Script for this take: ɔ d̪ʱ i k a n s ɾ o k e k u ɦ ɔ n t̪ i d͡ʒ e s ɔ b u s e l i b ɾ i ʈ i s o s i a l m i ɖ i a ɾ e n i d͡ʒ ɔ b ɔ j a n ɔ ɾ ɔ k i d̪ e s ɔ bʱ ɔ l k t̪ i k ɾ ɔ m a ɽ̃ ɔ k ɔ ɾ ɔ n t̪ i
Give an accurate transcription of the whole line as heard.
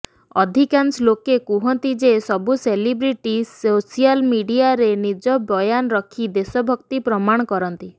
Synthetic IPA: ɔ d̪ʱ i k a n s l o k e k u ɦ ɔ n t̪ i d͡ʒ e s ɔ b u s e l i b ɾ i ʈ i s o s i a l m i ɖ i a ɾ e n i d͡ʒ ɔ b ɔ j a n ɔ ɾ ɔ kʰ i d̪ e s ɔ bʱ ɔ k t̪ i p ɾ ɔ m a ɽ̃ ɔ k ɔ ɾ ɔ n t̪ i